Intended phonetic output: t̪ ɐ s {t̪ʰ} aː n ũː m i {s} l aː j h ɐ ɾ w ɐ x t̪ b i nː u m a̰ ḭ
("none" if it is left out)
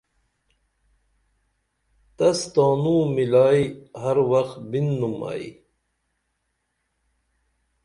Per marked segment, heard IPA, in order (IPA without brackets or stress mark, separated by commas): t̪, none